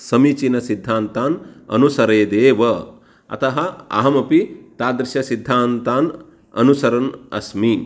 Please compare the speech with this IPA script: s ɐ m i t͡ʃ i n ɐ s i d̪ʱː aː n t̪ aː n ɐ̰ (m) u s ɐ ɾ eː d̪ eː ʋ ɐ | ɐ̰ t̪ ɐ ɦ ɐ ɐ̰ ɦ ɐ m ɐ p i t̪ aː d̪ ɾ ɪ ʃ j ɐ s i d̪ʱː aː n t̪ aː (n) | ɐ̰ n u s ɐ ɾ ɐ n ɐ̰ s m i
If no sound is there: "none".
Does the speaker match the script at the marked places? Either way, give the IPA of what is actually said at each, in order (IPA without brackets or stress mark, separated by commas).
n, n